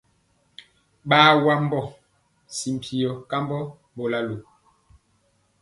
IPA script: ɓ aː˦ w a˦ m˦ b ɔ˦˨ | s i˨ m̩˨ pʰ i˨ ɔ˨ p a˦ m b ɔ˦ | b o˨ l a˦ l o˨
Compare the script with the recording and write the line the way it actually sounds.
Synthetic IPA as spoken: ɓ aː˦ w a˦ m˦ b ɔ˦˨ | s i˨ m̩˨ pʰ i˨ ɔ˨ k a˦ m b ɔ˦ | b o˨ l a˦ l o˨